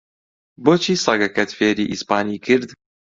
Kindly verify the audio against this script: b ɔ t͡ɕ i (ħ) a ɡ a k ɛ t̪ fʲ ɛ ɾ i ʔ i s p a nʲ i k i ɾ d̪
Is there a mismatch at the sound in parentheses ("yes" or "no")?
yes